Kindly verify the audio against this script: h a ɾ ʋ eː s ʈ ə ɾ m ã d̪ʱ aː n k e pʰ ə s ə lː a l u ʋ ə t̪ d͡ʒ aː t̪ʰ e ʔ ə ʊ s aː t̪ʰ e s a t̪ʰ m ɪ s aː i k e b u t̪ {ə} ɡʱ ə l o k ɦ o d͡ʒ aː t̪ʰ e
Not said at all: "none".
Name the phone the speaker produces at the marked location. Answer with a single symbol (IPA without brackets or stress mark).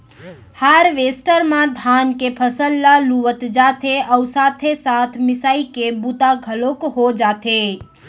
a